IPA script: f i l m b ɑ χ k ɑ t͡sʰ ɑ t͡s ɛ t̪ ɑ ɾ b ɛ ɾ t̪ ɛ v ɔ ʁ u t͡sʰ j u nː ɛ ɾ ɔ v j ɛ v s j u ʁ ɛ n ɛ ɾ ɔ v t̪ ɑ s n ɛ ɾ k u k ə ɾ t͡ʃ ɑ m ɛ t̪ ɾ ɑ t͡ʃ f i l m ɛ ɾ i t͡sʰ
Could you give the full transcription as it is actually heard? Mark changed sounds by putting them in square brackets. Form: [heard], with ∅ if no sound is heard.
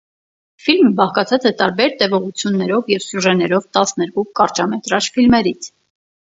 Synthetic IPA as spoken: f i l m b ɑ χ k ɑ t͡sʰ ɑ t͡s ɛ t̪ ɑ ɾ b ɛ ɾ t̪ ɛ v ɔ ʁ u t͡sʰ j u nː ɛ ɾ ɔ v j ɛ v s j u [ʒ] ɛ n ɛ ɾ ɔ v t̪ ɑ s n ɛ ɾ k u k [ɑ] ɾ t͡ʃ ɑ m ɛ t̪ ɾ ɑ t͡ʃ f i l m ɛ ɾ i t͡sʰ